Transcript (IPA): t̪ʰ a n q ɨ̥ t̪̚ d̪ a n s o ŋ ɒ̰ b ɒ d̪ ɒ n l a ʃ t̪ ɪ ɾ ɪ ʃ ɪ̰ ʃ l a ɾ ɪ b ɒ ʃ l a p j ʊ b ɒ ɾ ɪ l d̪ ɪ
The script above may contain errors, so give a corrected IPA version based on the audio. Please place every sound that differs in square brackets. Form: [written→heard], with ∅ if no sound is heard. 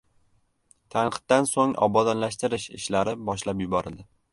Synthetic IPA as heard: t̪ʰ a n q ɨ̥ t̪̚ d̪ a n s o ŋ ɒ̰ b ɒ d̪ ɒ n l a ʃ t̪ ɪ ɾ ɪ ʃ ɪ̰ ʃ l a ɾ ɪ b ɒ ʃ l a p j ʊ b ɒ ɾ ɪ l d̪ ɪ